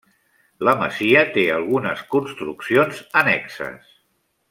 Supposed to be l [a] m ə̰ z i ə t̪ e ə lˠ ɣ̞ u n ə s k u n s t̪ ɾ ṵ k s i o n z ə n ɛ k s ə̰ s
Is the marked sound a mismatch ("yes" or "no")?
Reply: yes